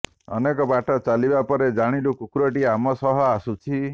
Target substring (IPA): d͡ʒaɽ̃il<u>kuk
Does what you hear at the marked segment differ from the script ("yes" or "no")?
no